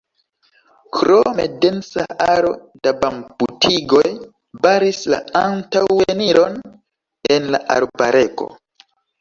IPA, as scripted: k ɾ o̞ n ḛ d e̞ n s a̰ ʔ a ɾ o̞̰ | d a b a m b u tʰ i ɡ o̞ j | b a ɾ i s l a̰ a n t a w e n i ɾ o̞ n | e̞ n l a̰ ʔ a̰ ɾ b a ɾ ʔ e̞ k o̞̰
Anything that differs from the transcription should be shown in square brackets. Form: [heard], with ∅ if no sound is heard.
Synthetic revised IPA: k ɾ o̞ [m] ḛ d e̞ n s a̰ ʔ a ɾ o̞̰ | d a b a m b u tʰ i ɡ o̞ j | b a ɾ i s l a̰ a n t a w e n i ɾ o̞ n | e̞ n l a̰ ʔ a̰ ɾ b a ɾ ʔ e̞ k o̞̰